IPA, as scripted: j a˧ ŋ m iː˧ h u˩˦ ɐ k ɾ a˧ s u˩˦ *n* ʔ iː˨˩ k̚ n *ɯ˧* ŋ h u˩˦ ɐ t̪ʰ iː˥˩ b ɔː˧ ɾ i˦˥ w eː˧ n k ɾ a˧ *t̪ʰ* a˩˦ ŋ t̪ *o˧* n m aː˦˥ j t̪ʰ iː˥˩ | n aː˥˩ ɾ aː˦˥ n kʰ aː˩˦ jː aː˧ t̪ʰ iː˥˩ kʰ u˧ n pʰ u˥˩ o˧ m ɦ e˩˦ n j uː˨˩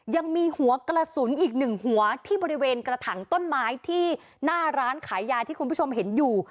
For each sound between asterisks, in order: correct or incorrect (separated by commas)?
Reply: correct, incorrect, correct, incorrect